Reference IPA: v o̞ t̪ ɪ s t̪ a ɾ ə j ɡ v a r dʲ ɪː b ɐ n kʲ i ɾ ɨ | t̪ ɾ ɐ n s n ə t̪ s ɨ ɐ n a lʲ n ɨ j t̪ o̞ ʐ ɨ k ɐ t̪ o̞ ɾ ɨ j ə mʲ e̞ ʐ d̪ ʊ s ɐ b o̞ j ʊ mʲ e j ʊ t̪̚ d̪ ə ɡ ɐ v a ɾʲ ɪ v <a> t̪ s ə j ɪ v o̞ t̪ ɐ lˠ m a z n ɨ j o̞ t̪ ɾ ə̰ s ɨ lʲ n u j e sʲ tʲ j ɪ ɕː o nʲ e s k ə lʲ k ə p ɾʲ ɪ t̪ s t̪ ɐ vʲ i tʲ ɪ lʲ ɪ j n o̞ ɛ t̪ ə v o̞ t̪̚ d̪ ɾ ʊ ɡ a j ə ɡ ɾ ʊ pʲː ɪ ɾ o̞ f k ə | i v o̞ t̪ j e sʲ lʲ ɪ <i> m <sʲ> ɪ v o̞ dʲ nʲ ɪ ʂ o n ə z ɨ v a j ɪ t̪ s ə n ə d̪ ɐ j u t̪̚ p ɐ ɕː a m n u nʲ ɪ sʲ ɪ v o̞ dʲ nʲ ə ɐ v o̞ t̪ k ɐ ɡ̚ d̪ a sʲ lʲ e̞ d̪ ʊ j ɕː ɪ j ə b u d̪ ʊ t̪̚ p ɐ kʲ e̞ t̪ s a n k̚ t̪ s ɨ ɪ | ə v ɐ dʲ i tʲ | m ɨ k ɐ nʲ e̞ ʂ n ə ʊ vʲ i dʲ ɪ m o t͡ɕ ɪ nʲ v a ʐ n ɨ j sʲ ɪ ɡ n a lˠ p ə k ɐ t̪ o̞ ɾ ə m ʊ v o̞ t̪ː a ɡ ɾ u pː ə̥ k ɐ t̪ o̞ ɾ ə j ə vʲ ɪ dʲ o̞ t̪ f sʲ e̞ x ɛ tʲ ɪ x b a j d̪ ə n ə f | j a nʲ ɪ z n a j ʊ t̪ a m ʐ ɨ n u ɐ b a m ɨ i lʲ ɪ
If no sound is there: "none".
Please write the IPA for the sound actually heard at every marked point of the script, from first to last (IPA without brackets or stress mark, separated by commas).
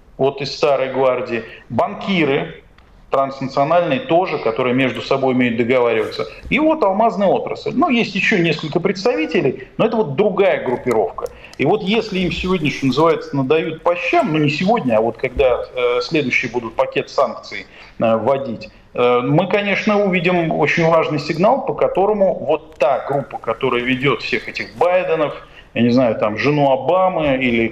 ə, i, sʲ